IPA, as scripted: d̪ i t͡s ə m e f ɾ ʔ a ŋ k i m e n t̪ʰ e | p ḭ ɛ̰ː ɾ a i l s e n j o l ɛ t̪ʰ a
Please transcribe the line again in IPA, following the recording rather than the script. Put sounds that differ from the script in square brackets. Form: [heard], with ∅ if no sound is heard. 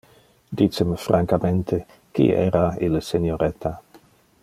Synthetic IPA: d̪ i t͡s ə m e f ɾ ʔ a ŋ k [a] m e n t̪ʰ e | [k] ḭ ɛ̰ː ɾ a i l s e n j o [ɾ] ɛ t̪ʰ a